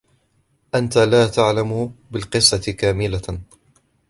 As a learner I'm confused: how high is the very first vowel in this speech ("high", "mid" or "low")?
low